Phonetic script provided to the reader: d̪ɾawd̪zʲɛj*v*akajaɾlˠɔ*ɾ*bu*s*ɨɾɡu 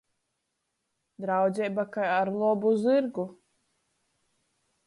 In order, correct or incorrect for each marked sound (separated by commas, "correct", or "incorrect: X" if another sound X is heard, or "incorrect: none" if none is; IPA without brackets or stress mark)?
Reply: incorrect: b, incorrect: none, incorrect: z